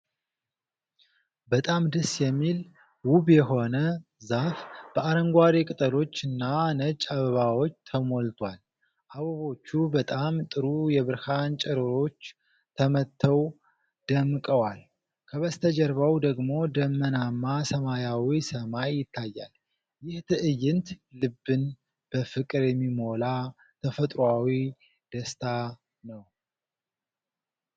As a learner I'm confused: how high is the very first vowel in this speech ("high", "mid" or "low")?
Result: mid